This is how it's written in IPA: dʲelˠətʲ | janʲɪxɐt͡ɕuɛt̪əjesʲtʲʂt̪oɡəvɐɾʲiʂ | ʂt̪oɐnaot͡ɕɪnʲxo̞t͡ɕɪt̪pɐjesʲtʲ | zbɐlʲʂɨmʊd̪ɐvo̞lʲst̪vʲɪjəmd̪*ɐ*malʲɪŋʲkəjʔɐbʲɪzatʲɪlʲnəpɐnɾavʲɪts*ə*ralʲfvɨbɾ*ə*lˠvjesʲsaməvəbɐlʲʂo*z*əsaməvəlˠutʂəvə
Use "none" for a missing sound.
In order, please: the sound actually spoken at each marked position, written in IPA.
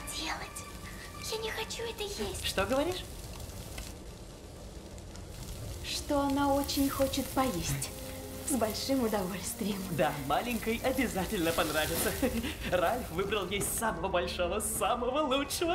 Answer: a, ə, ə, v

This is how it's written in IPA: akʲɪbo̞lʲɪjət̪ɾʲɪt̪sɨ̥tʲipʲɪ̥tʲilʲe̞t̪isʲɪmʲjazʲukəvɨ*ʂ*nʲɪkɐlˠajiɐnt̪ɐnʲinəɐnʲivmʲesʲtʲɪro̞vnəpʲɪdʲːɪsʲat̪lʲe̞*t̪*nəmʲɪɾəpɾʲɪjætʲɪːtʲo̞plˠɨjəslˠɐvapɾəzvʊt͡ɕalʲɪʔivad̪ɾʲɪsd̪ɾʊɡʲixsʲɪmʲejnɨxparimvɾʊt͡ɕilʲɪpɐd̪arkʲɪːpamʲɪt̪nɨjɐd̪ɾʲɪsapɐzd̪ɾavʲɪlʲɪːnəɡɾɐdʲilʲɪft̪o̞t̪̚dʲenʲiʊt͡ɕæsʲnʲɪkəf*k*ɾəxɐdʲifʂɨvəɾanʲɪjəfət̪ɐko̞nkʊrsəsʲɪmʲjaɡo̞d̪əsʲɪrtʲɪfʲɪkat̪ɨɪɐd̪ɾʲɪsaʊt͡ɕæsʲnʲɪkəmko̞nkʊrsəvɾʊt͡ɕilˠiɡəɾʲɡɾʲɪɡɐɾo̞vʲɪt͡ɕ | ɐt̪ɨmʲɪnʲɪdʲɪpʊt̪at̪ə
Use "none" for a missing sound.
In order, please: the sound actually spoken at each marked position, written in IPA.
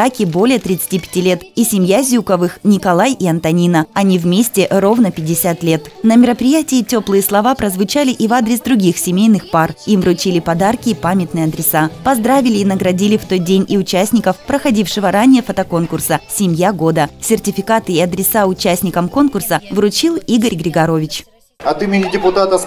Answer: x, t̪, p

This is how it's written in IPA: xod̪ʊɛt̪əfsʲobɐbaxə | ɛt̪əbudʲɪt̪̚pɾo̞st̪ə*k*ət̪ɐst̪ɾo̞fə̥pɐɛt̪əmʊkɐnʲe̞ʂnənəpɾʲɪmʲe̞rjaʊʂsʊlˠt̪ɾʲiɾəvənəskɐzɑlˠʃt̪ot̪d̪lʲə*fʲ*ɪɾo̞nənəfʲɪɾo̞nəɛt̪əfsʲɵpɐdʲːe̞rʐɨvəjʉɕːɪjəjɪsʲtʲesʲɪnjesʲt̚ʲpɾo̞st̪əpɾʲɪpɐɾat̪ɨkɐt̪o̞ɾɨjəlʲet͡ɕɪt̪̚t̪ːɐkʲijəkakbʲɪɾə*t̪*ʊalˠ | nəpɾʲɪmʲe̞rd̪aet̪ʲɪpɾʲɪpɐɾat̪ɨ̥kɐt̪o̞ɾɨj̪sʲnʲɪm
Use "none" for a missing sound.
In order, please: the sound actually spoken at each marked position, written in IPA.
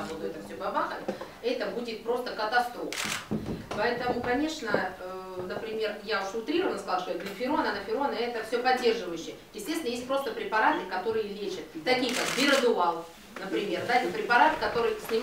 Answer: k, fʲ, d̪

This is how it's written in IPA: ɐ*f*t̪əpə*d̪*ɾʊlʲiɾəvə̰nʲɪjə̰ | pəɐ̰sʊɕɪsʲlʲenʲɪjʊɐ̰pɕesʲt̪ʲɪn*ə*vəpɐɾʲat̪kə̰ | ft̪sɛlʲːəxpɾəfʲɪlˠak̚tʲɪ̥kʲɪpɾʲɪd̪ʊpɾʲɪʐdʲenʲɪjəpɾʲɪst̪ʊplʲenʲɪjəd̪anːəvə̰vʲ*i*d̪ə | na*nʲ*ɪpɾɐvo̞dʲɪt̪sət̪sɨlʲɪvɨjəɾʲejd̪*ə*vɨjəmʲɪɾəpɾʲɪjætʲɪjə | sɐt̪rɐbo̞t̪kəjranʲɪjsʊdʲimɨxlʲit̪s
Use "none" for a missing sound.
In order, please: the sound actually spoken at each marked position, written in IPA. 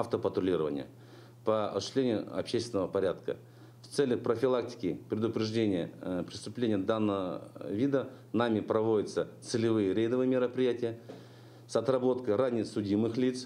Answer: f, t̪, ə, i, mʲ, ə

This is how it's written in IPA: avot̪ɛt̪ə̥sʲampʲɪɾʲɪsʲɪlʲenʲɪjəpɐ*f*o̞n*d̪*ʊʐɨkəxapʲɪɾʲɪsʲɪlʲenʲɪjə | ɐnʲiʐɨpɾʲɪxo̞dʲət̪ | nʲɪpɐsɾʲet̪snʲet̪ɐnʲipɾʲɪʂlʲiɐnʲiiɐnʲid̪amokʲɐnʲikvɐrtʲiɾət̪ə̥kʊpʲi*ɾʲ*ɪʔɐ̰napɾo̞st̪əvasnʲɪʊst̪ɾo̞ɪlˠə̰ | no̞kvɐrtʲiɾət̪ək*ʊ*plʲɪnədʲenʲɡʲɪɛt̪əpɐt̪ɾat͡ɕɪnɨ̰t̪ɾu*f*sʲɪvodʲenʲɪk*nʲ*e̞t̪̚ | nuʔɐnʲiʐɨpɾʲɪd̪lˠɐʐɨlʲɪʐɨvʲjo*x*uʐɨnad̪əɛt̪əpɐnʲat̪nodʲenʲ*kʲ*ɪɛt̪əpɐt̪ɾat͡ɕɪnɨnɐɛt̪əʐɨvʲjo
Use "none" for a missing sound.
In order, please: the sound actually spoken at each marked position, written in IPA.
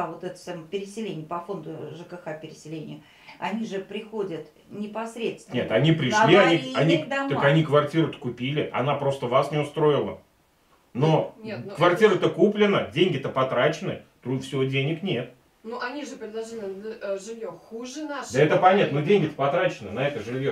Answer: f, d̪, lʲ, u, f, nʲ, x, ɡʲ

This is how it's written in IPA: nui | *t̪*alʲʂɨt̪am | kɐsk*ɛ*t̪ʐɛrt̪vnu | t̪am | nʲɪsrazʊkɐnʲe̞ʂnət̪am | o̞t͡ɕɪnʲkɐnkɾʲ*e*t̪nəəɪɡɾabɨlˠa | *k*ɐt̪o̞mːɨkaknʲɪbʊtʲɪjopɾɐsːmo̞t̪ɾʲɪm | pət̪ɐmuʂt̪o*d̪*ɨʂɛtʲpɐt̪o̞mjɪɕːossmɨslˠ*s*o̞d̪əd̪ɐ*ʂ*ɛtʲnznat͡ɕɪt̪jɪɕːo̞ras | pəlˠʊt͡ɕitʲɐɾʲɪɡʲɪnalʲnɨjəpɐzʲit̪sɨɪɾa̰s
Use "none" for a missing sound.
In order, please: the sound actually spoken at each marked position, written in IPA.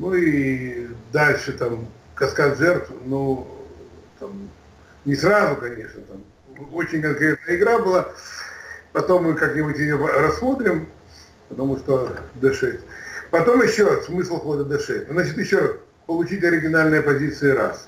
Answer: d̪, a, e, p, d̪, x, ʂ

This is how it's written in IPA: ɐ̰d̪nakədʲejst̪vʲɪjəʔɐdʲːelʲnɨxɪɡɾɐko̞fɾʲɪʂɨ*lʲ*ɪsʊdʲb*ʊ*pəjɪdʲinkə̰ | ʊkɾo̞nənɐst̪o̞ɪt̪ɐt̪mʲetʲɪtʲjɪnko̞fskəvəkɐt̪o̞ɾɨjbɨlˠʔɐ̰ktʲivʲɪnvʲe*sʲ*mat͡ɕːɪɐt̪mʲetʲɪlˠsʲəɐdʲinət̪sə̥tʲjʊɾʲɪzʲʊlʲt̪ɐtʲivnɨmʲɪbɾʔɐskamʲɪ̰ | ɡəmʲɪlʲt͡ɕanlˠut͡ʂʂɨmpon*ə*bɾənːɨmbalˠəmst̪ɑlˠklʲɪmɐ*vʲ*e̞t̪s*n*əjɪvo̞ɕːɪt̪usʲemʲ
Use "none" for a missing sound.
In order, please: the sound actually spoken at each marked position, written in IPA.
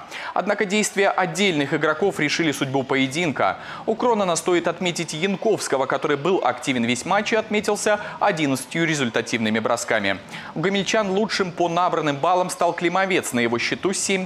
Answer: lʲ, u, sʲ, a, vʲ, n

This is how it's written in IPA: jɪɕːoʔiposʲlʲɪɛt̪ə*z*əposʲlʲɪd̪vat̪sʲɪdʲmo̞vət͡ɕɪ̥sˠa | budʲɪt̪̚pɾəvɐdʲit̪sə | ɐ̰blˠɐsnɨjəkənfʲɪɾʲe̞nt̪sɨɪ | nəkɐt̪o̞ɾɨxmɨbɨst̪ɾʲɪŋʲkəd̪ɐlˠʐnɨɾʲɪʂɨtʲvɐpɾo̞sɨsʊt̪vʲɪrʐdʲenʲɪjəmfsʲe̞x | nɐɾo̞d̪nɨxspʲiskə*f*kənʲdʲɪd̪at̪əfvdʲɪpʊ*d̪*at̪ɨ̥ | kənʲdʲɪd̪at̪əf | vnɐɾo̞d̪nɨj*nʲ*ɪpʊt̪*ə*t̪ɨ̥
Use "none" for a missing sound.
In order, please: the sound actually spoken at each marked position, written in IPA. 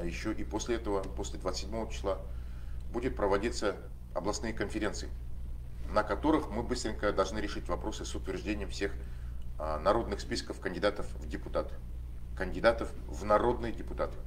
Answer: v, f, t̪, dʲ, a

